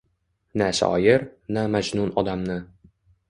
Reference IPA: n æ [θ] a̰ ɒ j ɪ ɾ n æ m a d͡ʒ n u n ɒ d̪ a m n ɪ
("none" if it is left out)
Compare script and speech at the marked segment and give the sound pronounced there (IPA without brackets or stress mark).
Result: s